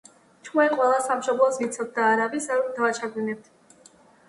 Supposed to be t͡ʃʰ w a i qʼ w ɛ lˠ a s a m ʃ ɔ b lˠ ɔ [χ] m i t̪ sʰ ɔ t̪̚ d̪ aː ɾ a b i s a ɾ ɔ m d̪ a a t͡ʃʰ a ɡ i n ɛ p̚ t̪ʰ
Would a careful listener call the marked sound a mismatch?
yes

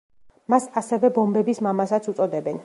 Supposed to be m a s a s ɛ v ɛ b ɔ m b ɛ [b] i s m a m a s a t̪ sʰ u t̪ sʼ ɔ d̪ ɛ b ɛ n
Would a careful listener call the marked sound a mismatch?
no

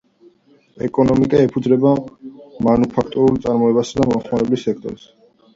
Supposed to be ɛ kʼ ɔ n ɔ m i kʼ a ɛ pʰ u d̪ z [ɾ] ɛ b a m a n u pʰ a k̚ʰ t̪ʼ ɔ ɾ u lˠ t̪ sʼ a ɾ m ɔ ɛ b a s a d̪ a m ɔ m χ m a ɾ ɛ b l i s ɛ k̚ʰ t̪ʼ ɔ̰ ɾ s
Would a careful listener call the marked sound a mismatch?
no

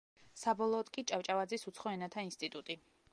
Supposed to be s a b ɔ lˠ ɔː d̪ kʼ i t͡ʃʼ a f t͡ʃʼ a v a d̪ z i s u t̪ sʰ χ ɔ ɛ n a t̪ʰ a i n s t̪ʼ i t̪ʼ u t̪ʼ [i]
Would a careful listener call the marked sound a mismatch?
no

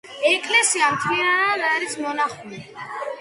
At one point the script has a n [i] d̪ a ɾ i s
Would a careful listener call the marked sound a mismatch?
yes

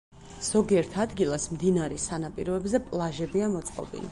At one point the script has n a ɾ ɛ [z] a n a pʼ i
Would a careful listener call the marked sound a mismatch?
yes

